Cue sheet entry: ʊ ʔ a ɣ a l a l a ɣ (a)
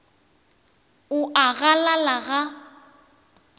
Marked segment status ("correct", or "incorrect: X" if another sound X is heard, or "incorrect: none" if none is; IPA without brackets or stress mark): correct